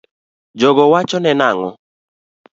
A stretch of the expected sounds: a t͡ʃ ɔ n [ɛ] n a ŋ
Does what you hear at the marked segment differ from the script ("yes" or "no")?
no